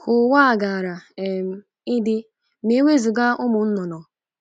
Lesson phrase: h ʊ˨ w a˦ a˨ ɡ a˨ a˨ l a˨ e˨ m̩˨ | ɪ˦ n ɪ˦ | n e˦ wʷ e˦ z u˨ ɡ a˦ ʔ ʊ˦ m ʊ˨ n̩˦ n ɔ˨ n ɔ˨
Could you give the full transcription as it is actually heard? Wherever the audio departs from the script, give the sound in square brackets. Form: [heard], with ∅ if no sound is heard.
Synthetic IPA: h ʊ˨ w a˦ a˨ ɡ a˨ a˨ [ɾ] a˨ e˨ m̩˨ | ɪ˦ [d] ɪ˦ | [m] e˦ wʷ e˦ z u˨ ɡ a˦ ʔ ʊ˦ m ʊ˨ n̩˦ n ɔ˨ n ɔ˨